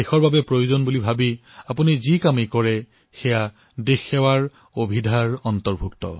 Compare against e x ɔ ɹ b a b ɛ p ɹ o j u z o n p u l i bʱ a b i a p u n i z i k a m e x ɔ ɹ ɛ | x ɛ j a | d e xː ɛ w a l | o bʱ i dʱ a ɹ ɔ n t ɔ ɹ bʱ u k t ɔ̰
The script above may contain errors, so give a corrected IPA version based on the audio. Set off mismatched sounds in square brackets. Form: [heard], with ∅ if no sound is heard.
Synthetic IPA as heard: e x ɔ ɹ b a b ɛ p ɹ o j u z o n [b] u l i bʱ a b i a p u n i z i k a m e [k] ɔ ɹ ɛ | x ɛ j a | d e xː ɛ w a [ɹ] | o bʱ i dʱ a ɹ ɔ n t ɔ ɹ bʱ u k t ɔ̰